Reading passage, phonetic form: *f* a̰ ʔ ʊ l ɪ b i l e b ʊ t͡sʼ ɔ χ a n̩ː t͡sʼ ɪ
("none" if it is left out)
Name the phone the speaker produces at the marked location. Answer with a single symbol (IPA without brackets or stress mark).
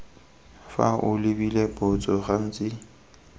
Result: f